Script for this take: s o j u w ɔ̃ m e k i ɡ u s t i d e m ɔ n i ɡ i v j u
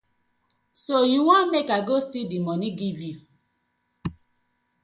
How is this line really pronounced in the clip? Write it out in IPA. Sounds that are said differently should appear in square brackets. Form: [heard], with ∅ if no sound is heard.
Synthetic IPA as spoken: s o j u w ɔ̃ m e k [a] ɡ [o] s t i d [i] m ɔ n i ɡ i v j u

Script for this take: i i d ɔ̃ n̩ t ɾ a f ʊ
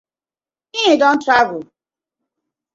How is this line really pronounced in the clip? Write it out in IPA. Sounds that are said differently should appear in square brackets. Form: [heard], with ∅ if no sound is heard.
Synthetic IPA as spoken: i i d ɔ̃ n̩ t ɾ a [v] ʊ

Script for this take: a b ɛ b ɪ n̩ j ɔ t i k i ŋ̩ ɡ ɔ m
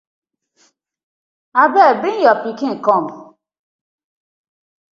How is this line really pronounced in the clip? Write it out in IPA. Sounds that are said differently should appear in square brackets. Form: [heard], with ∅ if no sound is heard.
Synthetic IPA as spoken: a b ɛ b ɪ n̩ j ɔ [p] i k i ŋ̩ [k] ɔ m

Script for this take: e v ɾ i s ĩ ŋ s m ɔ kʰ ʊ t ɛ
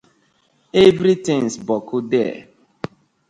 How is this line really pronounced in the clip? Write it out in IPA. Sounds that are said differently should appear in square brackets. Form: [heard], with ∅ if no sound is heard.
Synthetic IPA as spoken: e v ɾ i [t] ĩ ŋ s [b] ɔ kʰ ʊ [d] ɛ

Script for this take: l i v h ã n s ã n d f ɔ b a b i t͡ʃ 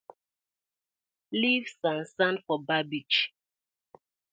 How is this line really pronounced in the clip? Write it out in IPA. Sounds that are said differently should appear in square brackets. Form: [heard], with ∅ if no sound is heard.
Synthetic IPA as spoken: l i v [s] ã n s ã n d f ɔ b a b i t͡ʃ

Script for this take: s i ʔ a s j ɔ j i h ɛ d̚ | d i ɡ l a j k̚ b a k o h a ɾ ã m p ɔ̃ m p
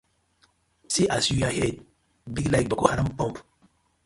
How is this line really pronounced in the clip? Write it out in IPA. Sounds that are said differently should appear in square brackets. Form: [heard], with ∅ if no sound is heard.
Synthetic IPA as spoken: s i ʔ a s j [u] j [a] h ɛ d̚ | [b] i ɡ l a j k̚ b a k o h a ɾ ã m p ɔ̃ m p

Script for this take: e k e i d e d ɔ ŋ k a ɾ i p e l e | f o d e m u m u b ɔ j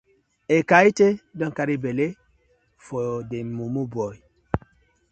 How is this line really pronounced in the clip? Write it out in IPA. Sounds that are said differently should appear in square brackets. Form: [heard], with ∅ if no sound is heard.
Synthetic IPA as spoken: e k [a] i [t] e d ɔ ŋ k a ɾ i [b] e l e | f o d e m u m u b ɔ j

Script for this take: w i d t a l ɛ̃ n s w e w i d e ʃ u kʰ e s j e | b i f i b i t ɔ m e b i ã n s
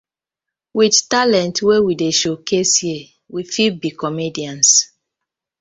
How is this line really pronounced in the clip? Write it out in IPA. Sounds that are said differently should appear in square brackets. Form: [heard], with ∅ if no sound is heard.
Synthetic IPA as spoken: w i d t a l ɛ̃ n [t] w e w i d e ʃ [o] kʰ e s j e | [w] i f i b i [k] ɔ m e [d] i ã n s

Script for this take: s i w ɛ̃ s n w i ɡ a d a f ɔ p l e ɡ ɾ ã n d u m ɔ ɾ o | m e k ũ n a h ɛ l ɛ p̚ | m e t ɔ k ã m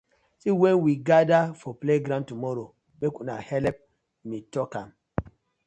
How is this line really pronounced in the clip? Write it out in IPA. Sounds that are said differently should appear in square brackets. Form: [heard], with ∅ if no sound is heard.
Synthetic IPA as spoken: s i w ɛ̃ [∅] n w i ɡ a d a f ɔ p l e ɡ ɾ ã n [t] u m ɔ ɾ o | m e k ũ n a h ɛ l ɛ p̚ | m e t ɔ k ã m

